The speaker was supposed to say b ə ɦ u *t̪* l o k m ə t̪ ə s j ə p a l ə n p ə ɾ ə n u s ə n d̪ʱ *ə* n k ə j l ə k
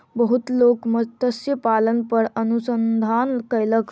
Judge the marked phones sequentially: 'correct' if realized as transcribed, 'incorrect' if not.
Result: correct, incorrect: a

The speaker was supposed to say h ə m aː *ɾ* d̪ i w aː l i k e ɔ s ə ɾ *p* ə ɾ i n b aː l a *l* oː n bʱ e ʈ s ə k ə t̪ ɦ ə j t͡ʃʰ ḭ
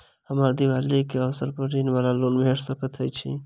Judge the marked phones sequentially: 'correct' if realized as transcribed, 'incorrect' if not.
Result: correct, correct, correct

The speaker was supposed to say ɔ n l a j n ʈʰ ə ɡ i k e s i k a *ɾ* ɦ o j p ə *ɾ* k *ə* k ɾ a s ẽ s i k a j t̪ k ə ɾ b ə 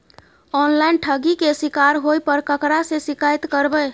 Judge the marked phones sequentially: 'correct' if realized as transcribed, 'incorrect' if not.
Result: correct, correct, correct

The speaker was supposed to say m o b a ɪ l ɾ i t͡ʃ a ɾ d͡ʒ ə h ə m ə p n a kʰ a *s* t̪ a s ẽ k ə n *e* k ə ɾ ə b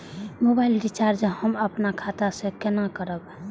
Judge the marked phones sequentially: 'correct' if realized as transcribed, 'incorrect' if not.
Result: incorrect: none, incorrect: a

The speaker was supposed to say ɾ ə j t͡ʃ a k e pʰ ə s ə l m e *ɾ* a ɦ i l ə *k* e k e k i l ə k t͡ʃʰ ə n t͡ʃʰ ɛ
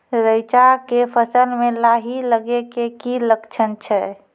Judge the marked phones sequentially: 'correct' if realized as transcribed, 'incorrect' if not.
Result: incorrect: l, incorrect: ɡ

